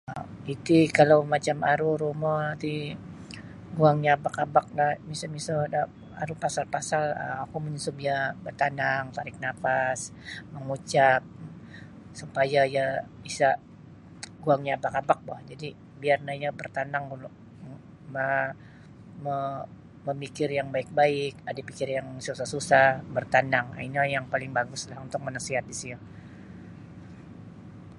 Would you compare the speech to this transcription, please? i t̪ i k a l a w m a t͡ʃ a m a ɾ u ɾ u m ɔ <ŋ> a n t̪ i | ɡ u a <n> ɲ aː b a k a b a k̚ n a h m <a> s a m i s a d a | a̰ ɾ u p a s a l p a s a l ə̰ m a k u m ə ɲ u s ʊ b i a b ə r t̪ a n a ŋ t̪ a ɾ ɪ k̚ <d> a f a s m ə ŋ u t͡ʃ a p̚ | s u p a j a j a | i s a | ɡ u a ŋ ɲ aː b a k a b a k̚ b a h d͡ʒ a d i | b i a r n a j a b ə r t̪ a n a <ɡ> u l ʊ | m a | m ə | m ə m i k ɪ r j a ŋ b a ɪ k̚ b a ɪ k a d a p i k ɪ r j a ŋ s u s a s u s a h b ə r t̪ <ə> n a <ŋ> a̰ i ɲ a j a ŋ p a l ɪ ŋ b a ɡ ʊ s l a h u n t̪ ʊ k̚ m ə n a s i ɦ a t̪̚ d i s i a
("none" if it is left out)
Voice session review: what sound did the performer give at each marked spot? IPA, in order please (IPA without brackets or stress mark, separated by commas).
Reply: n, ŋ, i, n, ŋ, a, ŋ